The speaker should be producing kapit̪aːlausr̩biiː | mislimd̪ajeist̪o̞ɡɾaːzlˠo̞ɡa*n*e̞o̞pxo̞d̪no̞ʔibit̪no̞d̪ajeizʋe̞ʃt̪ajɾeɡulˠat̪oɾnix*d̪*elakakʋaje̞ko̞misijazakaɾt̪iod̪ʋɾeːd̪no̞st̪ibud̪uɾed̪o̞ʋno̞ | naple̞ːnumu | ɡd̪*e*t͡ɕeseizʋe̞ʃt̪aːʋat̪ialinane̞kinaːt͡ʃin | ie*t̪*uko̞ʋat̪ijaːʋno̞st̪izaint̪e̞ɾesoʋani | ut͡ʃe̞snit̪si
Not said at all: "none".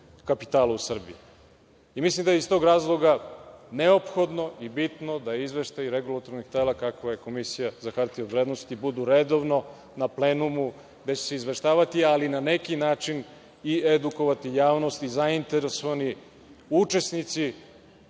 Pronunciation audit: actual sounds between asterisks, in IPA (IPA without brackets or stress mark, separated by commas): n, t̪, e, d̪